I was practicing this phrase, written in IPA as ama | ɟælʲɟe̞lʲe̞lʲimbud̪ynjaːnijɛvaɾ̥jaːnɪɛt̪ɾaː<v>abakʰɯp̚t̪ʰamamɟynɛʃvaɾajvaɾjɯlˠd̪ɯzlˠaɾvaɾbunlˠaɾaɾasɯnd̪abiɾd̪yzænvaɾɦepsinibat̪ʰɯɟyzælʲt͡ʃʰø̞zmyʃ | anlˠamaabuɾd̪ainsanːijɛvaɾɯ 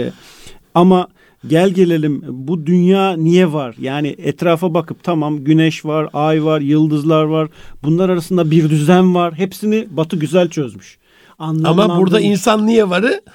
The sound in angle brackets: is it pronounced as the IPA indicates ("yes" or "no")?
no